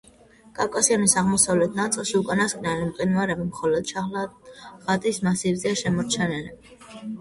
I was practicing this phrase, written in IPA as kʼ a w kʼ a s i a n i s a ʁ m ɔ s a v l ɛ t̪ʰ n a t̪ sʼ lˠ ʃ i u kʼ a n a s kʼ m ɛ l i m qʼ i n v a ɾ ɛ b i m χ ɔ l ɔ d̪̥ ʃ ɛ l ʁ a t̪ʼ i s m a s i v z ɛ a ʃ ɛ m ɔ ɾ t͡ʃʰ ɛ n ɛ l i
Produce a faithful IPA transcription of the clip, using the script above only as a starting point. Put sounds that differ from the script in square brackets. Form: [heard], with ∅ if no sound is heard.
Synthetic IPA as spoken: kʼ a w kʼ a s i a n i s a ʁ m ɔ s a v l ɛ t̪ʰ n a t̪ sʼ lˠ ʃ i u kʼ a n a s kʼ [n] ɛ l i m qʼ i n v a ɾ ɛ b i m χ ɔ l ɔ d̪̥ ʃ [a] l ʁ a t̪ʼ i s m a s i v z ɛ a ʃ ɛ m ɔ ɾ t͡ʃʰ ɛ n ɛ l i

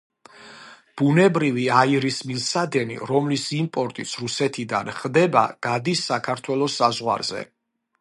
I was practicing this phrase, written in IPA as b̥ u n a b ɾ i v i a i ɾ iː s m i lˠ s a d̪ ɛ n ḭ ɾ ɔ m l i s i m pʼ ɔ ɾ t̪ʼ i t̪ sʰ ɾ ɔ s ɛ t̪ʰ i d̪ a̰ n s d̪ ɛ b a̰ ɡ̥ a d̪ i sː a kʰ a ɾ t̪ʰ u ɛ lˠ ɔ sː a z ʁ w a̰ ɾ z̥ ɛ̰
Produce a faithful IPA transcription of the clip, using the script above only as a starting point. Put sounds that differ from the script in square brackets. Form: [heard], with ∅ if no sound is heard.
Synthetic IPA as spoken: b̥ u n [ɛ] b ɾ i v i a i ɾ [i] s m i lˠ s a d̪ ɛ n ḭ ɾ ɔ m l i s i m pʼ ɔ ɾ t̪ʼ i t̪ sʰ ɾ [u] s ɛ t̪ʰ i d̪ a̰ n [χ] d̪ ɛ b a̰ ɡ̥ a d̪ i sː a kʰ a ɾ t̪ʰ [w] ɛ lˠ ɔ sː a z ʁ w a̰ ɾ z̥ ɛ̰

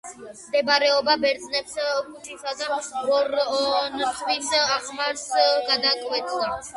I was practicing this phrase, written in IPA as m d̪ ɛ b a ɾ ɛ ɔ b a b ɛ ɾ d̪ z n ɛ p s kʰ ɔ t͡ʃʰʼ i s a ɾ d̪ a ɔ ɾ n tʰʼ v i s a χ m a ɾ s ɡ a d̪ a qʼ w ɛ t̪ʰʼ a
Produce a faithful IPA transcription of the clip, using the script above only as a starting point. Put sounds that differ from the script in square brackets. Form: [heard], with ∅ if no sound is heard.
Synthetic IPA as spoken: m d̪ ɛ b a ɾ ɛ ɔ b a b ɛ ɾ d̪ z n ɛ p s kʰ [u] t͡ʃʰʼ i s a [∅] d̪ a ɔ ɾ n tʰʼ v i s a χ m a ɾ s ɡ a d̪ a [kʼ] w ɛ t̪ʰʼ a

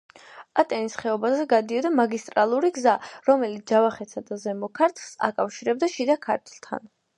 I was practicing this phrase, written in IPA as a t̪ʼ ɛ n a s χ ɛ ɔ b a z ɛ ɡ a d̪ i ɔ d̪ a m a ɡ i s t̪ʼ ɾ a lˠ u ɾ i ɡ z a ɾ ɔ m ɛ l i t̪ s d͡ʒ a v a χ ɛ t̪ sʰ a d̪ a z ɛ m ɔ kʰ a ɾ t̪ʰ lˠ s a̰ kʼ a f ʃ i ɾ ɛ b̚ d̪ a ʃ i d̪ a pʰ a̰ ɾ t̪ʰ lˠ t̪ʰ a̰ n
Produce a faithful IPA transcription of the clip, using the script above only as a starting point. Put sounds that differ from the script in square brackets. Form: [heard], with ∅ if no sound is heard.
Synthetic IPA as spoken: a t̪ʼ ɛ n [i] s χ ɛ ɔ b a z ɛ ɡ a d̪ i ɔ d̪ a m a ɡ i s t̪ʼ ɾ a lˠ u ɾ i ɡ z a ɾ ɔ m ɛ l i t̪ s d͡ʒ a v a χ ɛ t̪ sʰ a d̪ a z ɛ m ɔ kʰ a ɾ t̪ʰ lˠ s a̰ kʼ a f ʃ i ɾ ɛ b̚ d̪ a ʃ i d̪ a [kʰ] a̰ ɾ t̪ʰ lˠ t̪ʰ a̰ n

